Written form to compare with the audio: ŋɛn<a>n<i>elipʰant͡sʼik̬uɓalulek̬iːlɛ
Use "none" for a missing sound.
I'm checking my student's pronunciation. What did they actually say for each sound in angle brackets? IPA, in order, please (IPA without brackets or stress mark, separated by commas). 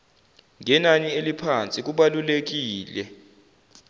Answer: a, i